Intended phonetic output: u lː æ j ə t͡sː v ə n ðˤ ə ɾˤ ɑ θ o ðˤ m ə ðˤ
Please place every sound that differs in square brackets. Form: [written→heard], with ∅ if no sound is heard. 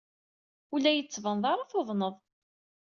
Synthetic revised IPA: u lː æ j ə t͡sː v ə n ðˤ [ə→ɑ] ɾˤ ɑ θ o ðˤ [m→n] ə ðˤ